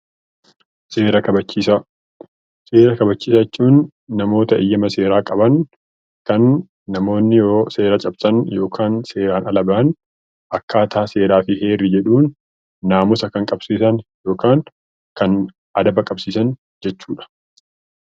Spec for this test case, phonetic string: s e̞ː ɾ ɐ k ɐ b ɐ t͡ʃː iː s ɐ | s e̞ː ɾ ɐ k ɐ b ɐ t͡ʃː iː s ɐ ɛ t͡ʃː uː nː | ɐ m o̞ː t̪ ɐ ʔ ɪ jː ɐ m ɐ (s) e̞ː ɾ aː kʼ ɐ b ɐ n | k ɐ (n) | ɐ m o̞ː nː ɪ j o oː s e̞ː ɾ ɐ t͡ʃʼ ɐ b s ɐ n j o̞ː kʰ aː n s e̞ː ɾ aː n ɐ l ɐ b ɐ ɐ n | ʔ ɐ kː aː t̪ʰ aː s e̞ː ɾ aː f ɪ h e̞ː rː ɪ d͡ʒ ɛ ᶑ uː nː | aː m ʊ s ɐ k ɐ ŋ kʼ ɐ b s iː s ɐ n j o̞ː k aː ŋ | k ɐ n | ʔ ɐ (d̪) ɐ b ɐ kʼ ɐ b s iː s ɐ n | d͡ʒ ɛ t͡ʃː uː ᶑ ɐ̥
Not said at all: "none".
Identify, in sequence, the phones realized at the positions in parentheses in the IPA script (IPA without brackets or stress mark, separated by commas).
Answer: s, nː, d̪